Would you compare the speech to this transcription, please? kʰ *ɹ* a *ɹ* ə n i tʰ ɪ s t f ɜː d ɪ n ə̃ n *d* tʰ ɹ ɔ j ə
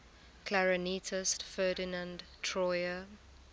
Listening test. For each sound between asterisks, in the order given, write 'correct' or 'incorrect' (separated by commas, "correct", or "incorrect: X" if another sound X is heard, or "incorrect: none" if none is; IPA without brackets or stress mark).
incorrect: l, correct, correct